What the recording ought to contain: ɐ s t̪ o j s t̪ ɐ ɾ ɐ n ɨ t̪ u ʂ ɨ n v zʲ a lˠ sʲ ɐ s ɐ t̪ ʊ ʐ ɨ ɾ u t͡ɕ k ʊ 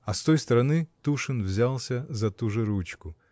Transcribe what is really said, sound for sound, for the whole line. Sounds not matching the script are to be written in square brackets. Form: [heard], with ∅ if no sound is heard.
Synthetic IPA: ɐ s t̪ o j s t̪ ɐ ɾ ɐ n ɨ t̪ u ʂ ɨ n v zʲ a lˠ sʲ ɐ [z] ɐ t̪ [u] ʐ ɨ ɾ u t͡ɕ k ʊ